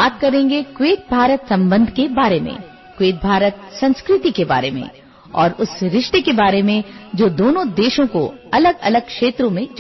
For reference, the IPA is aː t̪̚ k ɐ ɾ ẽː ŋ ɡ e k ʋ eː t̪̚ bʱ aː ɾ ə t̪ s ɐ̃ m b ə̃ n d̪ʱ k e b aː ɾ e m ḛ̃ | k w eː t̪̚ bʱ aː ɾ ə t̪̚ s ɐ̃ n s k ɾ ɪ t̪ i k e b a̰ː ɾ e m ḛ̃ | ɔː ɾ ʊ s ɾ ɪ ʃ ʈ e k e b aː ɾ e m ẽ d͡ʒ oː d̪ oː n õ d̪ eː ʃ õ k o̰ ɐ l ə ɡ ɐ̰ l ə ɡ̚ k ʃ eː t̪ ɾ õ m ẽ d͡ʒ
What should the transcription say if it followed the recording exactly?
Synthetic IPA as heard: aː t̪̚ k ɐ ɾ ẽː ŋ ɡ e k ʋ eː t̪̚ bʱ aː ɾ ə t̪ s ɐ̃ m b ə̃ n d̪ʱ k e b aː ɾ e m ḛ̃ | k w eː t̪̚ bʱ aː ɾ ə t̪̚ s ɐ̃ n s k ɾ ɪ t̪ i k e b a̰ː ɾ e m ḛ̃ | ɔː ɾ ʊ s ɾ ɪ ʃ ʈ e k e b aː ɾ e m ẽ d͡ʒ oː d̪ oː n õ d̪ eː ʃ õ k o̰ ɐ l ə ɡ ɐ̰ l ə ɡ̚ k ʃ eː t̪ ɾ õ m ẽ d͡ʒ

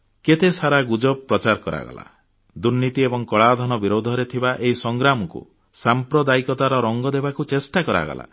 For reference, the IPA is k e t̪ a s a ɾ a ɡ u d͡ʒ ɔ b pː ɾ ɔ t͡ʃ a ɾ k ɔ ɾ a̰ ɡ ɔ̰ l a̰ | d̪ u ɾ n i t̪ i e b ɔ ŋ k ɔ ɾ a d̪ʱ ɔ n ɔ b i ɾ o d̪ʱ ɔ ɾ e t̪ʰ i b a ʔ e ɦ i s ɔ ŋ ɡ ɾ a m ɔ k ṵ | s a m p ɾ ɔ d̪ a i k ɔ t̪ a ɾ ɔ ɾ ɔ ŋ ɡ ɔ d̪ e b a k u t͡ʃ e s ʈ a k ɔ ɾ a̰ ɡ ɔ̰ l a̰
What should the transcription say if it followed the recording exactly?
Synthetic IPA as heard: k e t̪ e s a ɾ a ɡ u d͡ʒ ɔ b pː ɾ ɔ t͡ʃ a ɾ k ɔ ɾ a̰ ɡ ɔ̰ l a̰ | d̪ u ɾ n i t̪ i e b ɔ ŋ k ɔ ɭ a d̪ʱ ɔ n ɔ b i ɾ o d̪ʱ ɔ ɾ e t̪ʰ i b a ʔ e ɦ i s ɔ ŋ ɡ ɾ a m ɔ k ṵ | s a m p ɾ ɔ d̪ a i k ɔ t̪ a ɾ ɔ ɾ ɔ ŋ ɡ ɔ d̪ e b a k u t͡ʃ e s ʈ a k ɔ ɾ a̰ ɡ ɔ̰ l a̰

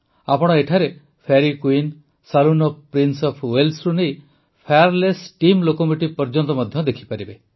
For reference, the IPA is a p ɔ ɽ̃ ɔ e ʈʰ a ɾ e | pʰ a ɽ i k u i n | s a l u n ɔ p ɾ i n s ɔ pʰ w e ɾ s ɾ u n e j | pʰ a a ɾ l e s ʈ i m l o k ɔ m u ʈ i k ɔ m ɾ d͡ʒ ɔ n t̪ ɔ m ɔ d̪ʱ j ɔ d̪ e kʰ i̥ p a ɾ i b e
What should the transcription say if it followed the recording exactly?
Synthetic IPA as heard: a p ɔ ɽ̃ ɔ e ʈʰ a ɾ e | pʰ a ɾ i k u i n | s a l u n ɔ p ɾ i n s ɔ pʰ w e l s ɾ u n e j | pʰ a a ɾ l e s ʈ i m l o k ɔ m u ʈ i p ɔ ɾ d͡ʒ ɔ n t̪ ɔ m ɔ d̪ʱ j ɔ d̪ e kʰ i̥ p a ɾ i b e

